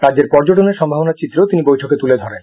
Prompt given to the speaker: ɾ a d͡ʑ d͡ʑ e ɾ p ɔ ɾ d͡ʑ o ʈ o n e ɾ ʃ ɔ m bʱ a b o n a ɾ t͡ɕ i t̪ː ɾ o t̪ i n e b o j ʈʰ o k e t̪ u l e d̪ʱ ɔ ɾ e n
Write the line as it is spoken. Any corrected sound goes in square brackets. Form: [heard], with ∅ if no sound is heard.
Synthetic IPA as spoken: ɾ a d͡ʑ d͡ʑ e ɾ p ɔ ɾ d͡ʑ o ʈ o n e ɾ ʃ ɔ m bʱ a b o n a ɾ t͡ɕ i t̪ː ɾ o t̪ i n [i] b o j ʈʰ o k e t̪ u l e d̪ʱ ɔ ɾ e n